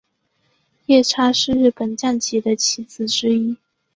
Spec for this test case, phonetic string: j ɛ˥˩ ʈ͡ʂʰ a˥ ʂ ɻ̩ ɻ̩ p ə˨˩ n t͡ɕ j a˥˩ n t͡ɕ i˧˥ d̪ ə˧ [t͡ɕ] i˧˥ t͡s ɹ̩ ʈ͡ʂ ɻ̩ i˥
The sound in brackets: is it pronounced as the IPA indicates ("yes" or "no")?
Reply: no